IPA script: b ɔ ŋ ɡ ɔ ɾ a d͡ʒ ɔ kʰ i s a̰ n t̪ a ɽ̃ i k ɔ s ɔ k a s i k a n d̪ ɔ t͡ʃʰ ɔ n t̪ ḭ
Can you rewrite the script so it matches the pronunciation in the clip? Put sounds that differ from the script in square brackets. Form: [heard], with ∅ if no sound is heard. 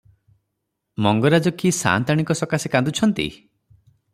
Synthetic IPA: [m] ɔ ŋ ɡ ɔ ɾ a d͡ʒ ɔ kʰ i s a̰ n t̪ a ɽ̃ i k ɔ s ɔ k a s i k a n d̪ [u] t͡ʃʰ ɔ n t̪ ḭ